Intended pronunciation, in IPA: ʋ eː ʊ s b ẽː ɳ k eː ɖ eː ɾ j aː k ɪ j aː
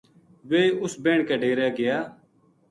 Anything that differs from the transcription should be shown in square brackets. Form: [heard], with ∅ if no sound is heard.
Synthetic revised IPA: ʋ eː ʊ s b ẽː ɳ k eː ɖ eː ɾ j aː [ɡ] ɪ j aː